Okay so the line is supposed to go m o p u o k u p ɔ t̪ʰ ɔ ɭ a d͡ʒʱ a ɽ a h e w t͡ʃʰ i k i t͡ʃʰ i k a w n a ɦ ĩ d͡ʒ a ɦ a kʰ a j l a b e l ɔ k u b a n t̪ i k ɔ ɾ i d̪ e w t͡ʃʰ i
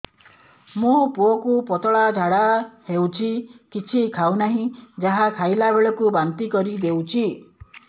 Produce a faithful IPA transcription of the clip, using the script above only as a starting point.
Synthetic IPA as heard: m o p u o k u p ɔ t̪ ɔ ɭ a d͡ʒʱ a ɽ a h e w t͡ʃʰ i k i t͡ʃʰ i kʰ a w n a ɦ ĩ d͡ʒ a ɦ a kʰ a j l a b e ɭ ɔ k u b a n t̪ i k ɔ ɾ i d̪ e w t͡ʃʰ i